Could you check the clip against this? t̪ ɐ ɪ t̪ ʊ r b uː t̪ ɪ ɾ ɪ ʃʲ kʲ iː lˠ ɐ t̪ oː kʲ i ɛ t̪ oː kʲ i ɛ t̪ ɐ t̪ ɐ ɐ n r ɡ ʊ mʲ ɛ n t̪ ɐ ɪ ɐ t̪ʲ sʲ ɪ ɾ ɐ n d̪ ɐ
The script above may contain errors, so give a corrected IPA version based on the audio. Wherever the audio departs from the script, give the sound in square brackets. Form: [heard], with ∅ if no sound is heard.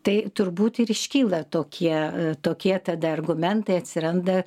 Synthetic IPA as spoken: t̪ ɐ ɪ t̪ ʊ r b uː t̪ ɪ ɾ ɪ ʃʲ kʲ iː lˠ ɐ t̪ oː kʲ i ɛ t̪ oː kʲ i ɛ t̪ ɐ [d̪] ɐ ɐ [∅] r ɡ ʊ mʲ ɛ n t̪ ɐ ɪ ɐ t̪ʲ sʲ ɪ ɾ ɐ n d̪ ɐ